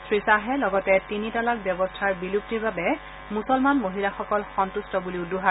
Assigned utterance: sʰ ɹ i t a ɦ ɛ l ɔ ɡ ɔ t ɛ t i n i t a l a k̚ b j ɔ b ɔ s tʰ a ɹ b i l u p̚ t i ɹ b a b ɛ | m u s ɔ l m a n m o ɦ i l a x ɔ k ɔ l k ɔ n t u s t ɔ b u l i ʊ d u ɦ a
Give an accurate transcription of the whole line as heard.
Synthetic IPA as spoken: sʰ ɹ i s a ɦ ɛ l ɔ ɡ ɔ t ɛ t i n i t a l a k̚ b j ɔ b ɔ s tʰ a ɹ b i l u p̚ t i ɹ b a b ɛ | m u s ɔ l m a n m o ɦ i l a x ɔ k ɔ l x ɔ n t u s t ɔ b u l i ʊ d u ɦ a